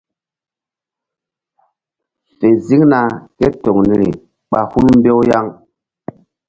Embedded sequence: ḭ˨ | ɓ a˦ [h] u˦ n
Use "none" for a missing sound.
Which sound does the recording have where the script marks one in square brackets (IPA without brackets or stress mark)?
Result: h